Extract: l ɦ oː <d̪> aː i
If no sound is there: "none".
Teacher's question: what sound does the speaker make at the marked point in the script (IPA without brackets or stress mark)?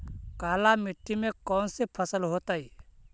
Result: t̪